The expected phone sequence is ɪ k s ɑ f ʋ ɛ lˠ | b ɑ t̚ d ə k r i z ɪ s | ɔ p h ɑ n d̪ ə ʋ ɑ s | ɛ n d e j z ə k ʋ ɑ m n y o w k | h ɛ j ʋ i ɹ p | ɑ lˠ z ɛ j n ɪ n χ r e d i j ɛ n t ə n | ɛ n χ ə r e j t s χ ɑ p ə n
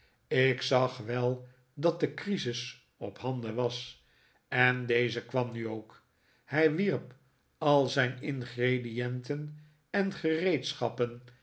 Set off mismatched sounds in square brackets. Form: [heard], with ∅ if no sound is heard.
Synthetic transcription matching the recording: ɪ k s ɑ [χ] ʋ ɛ lˠ | [d] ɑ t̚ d ə k r i z ɪ s | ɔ p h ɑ n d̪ ə ʋ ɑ s | ɛ n d e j z ə k ʋ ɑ m n y o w k | h ɛ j ʋ i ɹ p | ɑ lˠ z ɛ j n ɪ n χ r e d i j ɛ n t ə n | ɛ n χ ə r e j t s χ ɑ p ə n